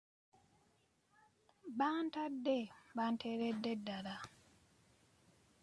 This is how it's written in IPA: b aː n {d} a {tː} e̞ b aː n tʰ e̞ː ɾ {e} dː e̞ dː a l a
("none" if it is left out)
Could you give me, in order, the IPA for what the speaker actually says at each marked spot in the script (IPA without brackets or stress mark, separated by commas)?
t, dː, e